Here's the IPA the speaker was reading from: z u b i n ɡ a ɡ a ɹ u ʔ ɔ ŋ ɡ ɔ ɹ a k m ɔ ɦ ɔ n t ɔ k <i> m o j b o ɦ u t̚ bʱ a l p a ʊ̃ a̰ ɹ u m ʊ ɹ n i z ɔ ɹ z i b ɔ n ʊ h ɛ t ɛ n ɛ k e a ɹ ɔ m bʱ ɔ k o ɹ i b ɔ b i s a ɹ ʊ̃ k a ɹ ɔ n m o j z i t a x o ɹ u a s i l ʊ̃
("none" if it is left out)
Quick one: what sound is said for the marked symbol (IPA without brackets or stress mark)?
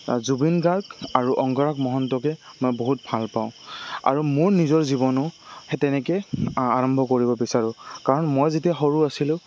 ɛ